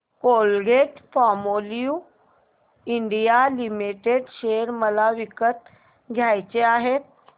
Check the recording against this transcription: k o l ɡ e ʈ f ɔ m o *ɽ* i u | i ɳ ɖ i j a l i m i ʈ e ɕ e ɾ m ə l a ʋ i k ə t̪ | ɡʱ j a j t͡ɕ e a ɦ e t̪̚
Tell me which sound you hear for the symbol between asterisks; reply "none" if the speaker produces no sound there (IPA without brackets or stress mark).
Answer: l